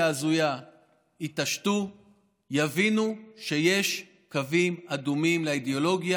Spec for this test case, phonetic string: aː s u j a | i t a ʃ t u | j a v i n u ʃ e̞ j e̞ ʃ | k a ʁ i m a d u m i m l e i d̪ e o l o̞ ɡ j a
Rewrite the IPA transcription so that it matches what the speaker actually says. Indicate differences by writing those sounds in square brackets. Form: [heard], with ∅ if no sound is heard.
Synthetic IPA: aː [z] u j a | i t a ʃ t u | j a v i n u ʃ e̞ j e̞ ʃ | k a [v] i m a d u m i m l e i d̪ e o l o̞ ɡ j a